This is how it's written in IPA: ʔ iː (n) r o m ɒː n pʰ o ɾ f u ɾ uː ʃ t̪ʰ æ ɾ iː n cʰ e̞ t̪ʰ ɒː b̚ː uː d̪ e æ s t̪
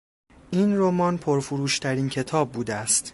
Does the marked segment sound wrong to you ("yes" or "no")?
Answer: no